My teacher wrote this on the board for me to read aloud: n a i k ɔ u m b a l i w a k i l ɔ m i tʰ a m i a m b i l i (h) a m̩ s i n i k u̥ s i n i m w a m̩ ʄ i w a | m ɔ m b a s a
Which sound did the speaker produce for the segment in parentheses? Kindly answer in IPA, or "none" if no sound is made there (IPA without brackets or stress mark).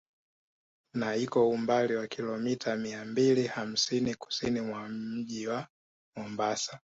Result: h